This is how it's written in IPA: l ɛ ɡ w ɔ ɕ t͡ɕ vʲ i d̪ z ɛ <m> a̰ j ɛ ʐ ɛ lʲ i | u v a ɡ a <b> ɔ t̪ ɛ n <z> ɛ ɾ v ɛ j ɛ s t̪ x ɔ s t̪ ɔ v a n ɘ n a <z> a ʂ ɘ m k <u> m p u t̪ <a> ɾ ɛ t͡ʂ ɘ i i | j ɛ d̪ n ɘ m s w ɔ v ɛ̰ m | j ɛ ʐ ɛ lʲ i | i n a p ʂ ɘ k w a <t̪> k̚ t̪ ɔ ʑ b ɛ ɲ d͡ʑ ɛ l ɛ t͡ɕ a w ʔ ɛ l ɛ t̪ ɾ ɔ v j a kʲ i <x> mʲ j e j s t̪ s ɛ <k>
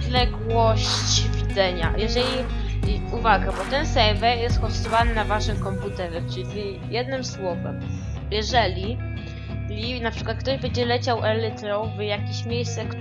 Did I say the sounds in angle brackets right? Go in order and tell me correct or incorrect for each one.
incorrect: ɲ, correct, incorrect: s, incorrect: v, incorrect: ɔ, incorrect: ɛ, correct, incorrect: ɕ, correct

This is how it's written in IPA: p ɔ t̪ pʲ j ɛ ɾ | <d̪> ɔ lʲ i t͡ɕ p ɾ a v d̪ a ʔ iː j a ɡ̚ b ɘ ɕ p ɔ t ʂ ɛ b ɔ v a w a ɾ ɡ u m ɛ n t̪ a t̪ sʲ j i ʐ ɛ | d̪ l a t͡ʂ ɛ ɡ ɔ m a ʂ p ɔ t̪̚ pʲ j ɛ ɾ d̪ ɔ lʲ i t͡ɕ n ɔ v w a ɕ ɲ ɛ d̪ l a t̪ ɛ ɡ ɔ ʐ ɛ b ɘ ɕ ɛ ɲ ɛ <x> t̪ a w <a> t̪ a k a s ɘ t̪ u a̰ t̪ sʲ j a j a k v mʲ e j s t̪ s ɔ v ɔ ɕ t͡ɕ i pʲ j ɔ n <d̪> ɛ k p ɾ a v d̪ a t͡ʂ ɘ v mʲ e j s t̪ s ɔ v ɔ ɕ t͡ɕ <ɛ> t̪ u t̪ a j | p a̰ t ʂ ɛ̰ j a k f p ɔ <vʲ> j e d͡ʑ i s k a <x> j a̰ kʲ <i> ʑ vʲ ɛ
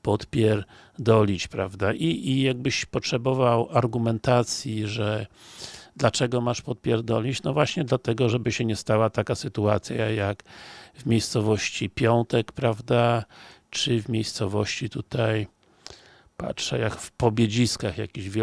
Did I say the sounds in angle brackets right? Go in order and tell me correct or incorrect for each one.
correct, incorrect: s, correct, incorrect: t̪, incorrect: i, incorrect: bʲ, correct, correct

